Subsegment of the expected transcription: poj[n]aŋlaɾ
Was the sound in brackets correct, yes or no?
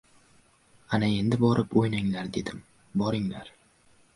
yes